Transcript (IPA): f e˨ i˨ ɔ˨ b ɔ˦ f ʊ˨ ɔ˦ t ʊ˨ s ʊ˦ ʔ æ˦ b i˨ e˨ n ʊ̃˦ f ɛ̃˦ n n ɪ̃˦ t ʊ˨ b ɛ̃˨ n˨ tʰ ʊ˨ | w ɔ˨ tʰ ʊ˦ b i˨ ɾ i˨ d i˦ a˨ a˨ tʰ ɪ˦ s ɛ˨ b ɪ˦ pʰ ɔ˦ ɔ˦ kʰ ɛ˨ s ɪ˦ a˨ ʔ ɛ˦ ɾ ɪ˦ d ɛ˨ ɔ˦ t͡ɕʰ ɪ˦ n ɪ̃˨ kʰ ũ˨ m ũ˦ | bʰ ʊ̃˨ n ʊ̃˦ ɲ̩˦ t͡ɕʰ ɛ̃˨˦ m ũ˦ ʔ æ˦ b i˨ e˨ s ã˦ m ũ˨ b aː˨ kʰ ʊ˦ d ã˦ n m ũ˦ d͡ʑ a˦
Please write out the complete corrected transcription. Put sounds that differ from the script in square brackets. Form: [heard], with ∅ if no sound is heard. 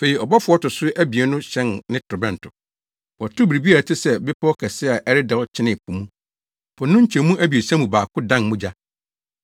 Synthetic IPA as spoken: f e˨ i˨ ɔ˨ b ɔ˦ f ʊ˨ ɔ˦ t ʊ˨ s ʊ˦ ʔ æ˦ b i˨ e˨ n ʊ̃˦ [ɕ] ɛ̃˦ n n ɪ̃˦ t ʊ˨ b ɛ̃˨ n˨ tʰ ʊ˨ | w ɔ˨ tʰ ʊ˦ b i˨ ɾ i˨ [b] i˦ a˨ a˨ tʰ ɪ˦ s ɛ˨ b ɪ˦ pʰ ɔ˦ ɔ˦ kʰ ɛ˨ s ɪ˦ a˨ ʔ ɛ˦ ɾ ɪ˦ d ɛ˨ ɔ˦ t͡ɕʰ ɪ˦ n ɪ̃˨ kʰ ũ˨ m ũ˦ | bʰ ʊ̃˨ n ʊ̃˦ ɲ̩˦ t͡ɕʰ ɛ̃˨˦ m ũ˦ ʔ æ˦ b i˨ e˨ s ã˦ m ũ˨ b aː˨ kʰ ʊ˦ d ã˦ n m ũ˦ d͡ʑ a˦